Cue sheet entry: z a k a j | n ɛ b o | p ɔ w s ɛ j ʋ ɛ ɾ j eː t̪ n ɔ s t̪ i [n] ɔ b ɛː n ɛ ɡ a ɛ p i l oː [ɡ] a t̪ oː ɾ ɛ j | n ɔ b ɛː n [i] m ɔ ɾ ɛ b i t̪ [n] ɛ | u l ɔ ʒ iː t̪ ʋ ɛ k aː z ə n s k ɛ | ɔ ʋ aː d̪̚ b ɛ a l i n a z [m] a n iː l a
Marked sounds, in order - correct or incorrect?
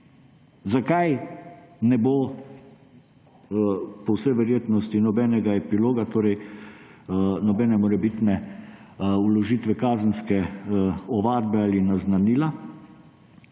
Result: correct, correct, incorrect: ɛ, correct, incorrect: n

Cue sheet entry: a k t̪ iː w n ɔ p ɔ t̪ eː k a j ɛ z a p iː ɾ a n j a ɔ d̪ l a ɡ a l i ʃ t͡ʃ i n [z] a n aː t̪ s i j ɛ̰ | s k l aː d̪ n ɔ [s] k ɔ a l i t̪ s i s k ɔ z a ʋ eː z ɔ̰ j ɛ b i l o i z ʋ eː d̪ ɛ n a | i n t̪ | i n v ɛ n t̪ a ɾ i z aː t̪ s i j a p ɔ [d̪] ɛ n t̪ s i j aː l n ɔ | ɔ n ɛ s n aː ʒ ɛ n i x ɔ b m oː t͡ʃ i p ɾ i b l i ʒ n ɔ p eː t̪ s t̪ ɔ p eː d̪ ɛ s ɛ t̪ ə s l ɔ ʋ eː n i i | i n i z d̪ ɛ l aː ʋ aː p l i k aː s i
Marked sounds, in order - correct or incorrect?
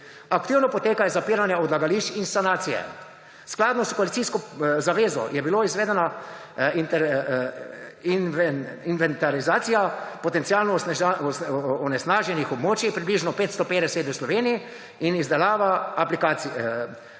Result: incorrect: s, correct, incorrect: t̪

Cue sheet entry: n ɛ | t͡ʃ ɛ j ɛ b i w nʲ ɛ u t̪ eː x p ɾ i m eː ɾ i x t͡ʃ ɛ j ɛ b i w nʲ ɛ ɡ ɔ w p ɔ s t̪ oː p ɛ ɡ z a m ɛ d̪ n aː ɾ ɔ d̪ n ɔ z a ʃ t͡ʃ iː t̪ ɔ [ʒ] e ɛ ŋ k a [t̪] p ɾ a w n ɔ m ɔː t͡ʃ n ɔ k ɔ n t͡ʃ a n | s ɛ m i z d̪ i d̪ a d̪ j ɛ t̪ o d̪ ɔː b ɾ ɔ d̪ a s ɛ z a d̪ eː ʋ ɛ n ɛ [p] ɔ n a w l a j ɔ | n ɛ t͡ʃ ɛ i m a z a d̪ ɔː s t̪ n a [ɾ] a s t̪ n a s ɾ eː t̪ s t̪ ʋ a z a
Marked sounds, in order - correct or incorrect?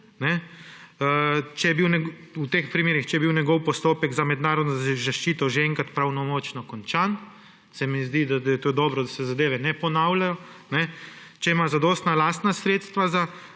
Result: correct, correct, correct, incorrect: l

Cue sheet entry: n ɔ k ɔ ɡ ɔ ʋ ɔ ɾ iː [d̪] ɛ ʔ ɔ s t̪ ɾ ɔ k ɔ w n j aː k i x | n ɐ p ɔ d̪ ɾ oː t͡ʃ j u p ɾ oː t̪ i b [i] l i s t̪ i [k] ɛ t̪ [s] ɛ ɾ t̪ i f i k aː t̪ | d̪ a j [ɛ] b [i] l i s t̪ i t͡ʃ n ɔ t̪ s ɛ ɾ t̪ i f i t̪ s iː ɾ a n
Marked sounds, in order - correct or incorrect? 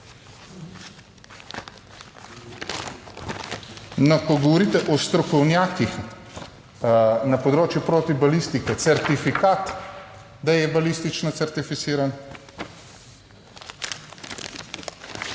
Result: incorrect: t̪, incorrect: a, correct, correct, correct, incorrect: a

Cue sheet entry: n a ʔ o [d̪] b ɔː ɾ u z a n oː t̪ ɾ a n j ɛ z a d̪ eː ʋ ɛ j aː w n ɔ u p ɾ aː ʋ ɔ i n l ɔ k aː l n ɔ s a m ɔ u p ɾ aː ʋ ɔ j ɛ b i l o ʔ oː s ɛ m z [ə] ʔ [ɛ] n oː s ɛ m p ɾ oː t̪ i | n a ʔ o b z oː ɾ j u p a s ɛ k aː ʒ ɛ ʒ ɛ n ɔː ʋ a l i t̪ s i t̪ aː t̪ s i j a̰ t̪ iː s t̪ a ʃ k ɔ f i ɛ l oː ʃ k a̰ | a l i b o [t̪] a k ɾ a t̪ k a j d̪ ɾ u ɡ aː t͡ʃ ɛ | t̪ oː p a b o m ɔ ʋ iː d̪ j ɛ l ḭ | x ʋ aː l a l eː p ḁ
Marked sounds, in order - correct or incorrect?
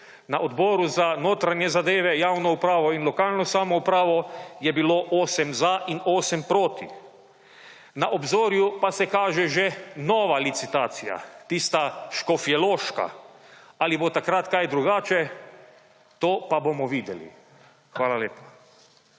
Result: correct, incorrect: a, incorrect: i, correct

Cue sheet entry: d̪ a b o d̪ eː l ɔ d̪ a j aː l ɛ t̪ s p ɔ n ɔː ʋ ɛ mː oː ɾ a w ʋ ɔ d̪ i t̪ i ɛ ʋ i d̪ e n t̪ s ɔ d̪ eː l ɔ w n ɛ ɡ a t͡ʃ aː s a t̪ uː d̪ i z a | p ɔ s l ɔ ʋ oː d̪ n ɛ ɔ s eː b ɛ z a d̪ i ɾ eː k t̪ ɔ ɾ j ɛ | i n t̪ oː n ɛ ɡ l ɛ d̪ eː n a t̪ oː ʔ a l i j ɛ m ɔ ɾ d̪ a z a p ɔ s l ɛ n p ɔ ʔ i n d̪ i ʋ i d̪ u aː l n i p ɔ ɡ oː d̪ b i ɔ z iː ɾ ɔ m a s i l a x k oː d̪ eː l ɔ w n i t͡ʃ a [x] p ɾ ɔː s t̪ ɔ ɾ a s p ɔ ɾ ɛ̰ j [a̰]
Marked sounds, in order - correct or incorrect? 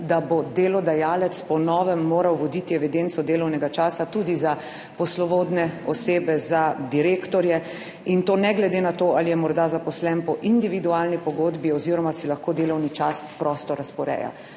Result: incorrect: s, correct

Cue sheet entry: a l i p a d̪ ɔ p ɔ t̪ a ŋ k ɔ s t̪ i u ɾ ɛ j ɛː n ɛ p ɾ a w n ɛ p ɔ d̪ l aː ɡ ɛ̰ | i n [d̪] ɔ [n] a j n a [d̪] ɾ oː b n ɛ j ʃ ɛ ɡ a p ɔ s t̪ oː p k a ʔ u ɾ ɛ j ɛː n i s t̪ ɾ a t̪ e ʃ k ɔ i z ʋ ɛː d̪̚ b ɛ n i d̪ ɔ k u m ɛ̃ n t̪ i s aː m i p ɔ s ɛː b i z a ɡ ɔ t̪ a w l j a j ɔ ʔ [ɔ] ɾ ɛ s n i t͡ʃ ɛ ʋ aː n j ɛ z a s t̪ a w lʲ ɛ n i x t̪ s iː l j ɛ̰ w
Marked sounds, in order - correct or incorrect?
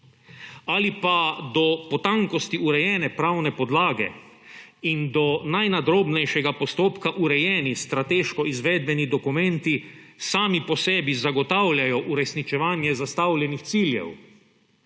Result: correct, correct, correct, incorrect: u

